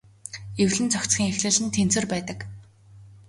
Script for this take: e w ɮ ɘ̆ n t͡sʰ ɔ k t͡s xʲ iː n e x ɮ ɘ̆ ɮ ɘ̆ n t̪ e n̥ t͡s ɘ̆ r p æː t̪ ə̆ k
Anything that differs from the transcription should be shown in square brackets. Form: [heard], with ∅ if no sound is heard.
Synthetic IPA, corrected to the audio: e w ɮ ɘ̆ n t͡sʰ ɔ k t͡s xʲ iː [ŋ] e x ɮ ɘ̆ ɮ ɘ̆ n [t̪ʰ] e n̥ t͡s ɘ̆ r p æː t̪ ə̆ k

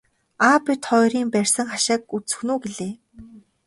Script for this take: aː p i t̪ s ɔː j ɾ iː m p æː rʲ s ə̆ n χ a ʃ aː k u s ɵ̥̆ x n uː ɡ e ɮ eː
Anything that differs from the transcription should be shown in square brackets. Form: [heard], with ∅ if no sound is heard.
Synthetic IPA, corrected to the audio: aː p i t̪ [χ] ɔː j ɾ iː m p [æ] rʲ s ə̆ [ŋ] χ a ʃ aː k u [t͡s] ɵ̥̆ x n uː ɡ e ɮ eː

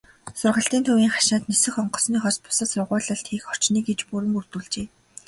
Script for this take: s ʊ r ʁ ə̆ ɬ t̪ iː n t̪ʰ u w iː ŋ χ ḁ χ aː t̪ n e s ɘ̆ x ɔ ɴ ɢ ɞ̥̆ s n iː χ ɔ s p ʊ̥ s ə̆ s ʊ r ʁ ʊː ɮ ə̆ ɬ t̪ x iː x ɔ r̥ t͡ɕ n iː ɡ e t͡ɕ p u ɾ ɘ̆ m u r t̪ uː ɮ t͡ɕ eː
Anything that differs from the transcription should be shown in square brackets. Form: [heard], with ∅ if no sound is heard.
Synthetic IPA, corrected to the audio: s ʊ r ʁ ə̆ ɬ t̪ iː n t̪ʰ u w iː ŋ χ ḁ [ʃ] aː t̪ n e s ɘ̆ x ɔ ɴ ɢ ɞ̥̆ s n iː χ ɔ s p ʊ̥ s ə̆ s ʊ r ʁ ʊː ɮ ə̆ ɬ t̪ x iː x ɔ r̥ t͡ɕ n iː ɡ e t͡ɕ p u ɾ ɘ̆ m u r t̪ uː ɮ t͡ɕ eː

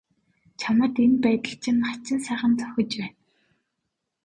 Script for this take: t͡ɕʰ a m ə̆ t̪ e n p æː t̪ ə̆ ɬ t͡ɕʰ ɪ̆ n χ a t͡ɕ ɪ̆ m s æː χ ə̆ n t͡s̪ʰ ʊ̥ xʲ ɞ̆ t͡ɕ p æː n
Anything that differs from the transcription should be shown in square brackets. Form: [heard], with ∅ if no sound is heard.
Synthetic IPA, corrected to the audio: t͡ɕʰ a m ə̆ t̪ e n p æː t̪ ə̆ ɬ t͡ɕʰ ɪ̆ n χ a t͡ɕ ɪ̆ [n] s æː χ ə̆ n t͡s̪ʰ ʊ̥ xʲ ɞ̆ t͡ɕ p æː n

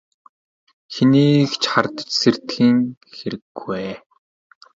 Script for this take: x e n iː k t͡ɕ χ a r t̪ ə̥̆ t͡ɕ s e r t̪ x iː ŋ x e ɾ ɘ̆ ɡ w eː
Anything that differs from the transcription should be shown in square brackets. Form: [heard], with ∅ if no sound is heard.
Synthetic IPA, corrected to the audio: x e n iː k t͡ɕ χ a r t̪ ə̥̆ t͡ɕ s e r t̪ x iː ŋ x e ɾ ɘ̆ ɡ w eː

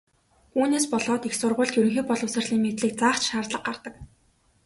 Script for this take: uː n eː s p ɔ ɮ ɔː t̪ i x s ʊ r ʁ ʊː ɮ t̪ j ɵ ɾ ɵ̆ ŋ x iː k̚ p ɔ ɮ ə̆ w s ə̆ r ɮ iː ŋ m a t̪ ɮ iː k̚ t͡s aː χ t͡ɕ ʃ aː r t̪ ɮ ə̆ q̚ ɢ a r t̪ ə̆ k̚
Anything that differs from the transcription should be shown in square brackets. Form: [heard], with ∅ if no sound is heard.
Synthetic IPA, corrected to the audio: uː n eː s p ɔ ɮ ɔː t̪ i x s ʊ r ʁ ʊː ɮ t̪ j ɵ ɾ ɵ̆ ŋ x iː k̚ p ɔ ɮ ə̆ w s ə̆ r ɮ iː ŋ m [e] t̪ ɮ iː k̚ t͡s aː χ t͡ɕ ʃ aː r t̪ ɮ ə̆ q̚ ɢ a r t̪ ə̆ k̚

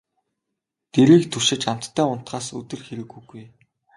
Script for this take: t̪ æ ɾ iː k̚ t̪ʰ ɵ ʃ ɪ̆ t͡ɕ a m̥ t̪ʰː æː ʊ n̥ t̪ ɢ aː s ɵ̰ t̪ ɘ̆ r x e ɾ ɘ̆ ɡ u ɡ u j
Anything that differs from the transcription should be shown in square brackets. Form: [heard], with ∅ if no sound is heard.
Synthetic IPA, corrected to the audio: t̪ [e] ɾ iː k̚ t̪ʰ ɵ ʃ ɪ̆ t͡ɕ a m̥ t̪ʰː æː ʊ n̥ t̪ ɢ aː s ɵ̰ t̪ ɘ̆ r x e ɾ ɘ̆ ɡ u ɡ u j

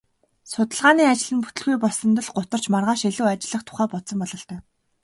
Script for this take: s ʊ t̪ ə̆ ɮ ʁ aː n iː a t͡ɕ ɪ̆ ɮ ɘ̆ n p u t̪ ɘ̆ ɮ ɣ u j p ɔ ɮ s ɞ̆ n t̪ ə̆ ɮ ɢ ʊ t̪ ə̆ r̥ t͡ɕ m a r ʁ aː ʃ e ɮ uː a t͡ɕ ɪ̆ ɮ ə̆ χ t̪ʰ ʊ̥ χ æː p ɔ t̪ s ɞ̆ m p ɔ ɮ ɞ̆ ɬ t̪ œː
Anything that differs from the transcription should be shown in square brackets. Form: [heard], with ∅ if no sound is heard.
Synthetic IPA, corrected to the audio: s ʊ t̪ ə̆ ɮ ʁ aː n iː a t͡ɕ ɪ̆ ɮ ɘ̆ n p u t̪ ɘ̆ ɮ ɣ u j p ɔ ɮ s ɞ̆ n t̪ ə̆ ɮ ɢ ʊ t̪ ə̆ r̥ t͡ɕ m a r ʁ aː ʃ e ɮ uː a t͡ɕ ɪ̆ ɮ ə̆ χ t̪ʰ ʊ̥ χ æː p ɔ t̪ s ɞ̆ m p ɔ ɮ ɞ̆ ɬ t̪ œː

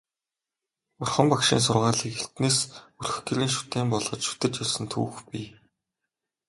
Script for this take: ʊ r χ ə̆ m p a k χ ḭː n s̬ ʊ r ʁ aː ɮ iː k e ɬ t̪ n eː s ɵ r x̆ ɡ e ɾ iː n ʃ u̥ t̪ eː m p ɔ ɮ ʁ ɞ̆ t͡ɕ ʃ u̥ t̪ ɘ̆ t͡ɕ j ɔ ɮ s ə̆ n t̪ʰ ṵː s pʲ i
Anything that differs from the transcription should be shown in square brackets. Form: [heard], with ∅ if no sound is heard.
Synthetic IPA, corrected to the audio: ʊ r χ ə̆ m p a k [ʃ] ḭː n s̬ ʊ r ʁ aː ɮ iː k e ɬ t̪ n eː s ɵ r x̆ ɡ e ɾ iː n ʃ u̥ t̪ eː m p ɔ ɮ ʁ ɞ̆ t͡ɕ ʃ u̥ t̪ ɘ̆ t͡ɕ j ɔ ɮ s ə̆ n t̪ʰ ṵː [x] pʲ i

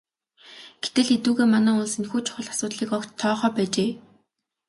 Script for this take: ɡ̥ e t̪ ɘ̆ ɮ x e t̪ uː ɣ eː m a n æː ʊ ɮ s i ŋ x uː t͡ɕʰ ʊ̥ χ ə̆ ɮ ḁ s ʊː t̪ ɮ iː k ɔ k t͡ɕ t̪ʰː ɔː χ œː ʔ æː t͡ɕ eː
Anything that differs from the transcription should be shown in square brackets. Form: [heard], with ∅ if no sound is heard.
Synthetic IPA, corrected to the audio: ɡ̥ e t̪ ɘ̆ ɮ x e t̪ uː ɣ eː m a n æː ʊ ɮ s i [n] x uː t͡ɕʰ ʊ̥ χ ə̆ ɮ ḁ s ʊː t̪ ɮ iː k ɔ k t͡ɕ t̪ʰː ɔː χ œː [p] æː t͡ɕ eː

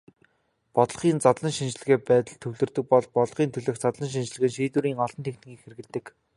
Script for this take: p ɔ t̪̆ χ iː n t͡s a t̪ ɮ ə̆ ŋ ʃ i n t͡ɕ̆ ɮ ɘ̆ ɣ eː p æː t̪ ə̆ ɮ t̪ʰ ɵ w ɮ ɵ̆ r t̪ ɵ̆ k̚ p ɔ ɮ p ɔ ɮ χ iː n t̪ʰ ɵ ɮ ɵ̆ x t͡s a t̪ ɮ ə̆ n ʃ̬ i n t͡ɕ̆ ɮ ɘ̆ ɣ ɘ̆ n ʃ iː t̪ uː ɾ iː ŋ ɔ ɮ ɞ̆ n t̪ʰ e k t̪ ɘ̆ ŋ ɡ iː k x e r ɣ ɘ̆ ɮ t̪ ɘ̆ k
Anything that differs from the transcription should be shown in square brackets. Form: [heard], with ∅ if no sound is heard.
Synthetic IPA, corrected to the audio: p ɔ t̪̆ χ iː n t͡s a t̪ ɮ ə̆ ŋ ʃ i n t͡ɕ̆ ɮ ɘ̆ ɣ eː p æː t̪ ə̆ ɮ t̪ʰ ɵ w ɮ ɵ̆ r t̪ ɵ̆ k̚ p ɔ ɮ p ɔ ɮ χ iː n t̪ʰ ɵ ɮ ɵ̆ x t͡s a t̪ ɮ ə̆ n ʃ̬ i n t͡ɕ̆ ɮ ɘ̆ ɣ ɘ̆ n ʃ iː t̪ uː ɾ iː ŋ ɔ ɮ ɞ̆ n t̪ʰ e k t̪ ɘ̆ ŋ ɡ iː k x e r ɣ ɘ̆ ɮ t̪ ɘ̆ k

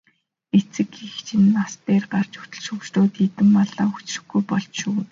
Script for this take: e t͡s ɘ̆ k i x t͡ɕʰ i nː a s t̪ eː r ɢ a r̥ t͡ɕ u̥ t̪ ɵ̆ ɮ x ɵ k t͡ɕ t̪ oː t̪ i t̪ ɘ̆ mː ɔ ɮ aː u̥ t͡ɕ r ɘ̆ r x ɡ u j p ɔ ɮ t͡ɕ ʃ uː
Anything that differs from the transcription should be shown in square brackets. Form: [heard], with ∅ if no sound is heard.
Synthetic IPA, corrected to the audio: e t͡s ɘ̆ k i x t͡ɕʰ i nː a s t̪ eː r ɢ a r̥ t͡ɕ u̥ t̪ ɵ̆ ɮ [ʃ] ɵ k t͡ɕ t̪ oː t̪ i t̪ ɘ̆ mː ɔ ɮ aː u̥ t͡ɕ r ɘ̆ [∅] x ɡ u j p ɔ ɮ t͡ɕ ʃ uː

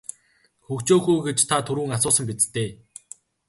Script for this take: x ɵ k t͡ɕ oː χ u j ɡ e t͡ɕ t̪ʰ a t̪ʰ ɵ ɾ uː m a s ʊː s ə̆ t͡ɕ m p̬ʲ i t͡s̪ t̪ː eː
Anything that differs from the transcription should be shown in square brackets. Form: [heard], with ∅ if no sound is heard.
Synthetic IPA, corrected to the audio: x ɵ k t͡ɕ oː [x] u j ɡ e t͡ɕ t̪ʰ a t̪ʰ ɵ ɾ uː [ŋ] a s ʊː s ə̆ [∅] m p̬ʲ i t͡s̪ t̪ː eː

